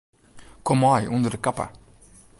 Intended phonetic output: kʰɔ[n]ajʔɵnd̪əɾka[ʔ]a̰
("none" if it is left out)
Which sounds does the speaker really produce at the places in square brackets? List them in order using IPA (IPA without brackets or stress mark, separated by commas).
m, p